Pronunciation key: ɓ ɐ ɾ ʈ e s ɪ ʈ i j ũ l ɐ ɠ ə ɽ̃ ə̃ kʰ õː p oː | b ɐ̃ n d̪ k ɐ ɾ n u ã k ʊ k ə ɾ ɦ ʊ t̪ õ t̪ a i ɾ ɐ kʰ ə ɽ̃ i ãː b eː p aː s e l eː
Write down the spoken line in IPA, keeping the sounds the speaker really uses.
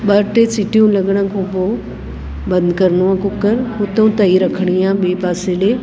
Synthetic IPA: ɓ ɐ ɾ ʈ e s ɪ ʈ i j ũ l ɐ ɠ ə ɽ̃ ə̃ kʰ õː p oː | b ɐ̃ n d̪ k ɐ ɾ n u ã k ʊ k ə ɾ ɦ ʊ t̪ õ t̪ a i ɾ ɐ kʰ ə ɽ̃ i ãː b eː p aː s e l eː